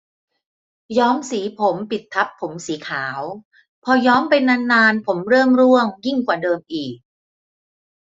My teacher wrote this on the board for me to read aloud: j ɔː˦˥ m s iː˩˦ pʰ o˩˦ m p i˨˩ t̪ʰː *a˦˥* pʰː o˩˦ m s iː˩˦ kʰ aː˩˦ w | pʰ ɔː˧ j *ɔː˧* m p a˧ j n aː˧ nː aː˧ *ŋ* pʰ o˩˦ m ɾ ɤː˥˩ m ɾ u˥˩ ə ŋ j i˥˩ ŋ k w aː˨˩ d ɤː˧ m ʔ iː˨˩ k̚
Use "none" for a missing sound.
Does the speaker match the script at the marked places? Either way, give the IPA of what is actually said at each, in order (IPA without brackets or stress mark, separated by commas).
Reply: a˦˥, ɔː˦˥, n